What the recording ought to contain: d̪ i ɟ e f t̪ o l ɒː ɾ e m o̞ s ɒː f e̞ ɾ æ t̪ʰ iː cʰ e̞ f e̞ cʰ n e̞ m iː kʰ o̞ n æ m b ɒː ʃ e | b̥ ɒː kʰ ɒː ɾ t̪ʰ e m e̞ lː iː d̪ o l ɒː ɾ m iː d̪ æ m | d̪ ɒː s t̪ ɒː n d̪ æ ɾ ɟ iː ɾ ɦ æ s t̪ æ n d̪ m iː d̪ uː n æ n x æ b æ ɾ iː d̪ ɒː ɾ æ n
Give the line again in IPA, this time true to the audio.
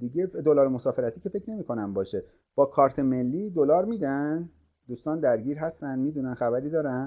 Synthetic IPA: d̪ i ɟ e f d̪ o l ɒː ɾ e m o̞ s ɒː f e̞ ɾ æ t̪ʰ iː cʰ e̞ f e̞ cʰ n e̞ m iː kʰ o̞ n æ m b ɒː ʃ e | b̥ ɒː kʰ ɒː ɾ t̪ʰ e m e̞ lː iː d̪ o l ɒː ɾ m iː d̪ æ n | d̪ uː s t̪ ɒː n d̪ æ ɾ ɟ iː ɾ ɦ æ s t̪ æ n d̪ m iː d̪ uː n æ n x æ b æ ɾ iː d̪ ɒː ɾ æ n